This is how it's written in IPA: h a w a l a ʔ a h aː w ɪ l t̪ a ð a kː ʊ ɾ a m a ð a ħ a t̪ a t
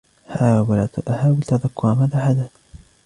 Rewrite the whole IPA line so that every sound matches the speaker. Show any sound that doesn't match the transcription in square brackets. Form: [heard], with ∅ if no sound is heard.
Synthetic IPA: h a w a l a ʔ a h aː w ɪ l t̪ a ð a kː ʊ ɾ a m a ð a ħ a [d̪] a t